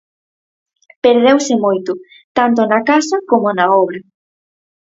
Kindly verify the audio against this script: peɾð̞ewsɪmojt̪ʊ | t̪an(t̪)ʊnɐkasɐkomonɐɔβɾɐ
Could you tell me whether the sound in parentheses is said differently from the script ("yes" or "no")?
no